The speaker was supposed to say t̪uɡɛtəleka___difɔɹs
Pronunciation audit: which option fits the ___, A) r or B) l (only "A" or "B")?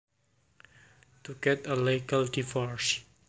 B